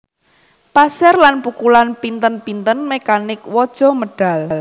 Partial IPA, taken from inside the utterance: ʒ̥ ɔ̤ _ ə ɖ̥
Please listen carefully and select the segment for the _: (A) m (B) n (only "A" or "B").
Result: A